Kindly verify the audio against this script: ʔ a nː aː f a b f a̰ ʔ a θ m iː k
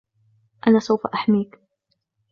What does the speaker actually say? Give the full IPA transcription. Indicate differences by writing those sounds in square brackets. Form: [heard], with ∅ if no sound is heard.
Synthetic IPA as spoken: ʔ a [n] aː [s] a [w] f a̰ ʔ a [ħ] m iː k